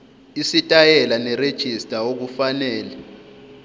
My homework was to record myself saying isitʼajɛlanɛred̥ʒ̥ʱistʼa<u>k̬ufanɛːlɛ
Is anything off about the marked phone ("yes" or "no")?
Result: yes